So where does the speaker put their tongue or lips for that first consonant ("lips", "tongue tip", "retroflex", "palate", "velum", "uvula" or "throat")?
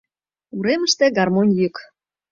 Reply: tongue tip